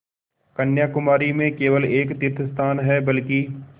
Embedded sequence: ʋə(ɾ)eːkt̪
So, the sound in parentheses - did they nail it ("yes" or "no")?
no